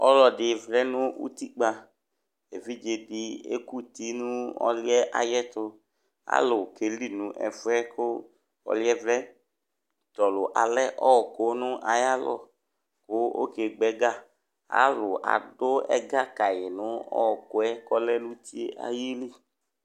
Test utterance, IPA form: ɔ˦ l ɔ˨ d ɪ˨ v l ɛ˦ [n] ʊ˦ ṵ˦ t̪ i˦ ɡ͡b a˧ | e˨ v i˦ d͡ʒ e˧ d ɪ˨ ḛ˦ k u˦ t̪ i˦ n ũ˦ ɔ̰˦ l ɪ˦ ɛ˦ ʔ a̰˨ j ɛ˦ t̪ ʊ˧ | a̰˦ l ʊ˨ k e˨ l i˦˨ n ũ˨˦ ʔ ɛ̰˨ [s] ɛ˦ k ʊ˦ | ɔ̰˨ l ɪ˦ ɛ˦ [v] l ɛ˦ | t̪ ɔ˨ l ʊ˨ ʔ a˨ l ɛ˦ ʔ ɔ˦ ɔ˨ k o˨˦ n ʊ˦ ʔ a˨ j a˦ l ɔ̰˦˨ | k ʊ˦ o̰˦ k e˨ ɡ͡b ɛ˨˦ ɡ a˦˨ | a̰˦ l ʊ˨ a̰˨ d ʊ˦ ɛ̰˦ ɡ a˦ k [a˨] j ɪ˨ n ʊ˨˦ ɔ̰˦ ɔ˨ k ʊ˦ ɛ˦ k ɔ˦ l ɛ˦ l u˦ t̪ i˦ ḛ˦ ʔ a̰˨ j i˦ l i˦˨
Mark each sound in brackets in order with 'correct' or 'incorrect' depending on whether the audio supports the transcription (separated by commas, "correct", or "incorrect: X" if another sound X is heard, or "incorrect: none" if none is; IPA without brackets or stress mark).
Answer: correct, incorrect: f, correct, correct